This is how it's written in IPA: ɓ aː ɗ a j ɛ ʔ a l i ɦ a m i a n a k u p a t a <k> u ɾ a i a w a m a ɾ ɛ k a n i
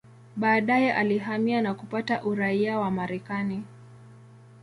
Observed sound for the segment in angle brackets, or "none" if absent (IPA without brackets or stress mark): ʔ